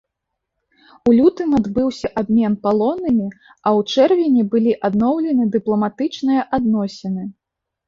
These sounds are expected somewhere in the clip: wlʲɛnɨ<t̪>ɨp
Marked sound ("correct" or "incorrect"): incorrect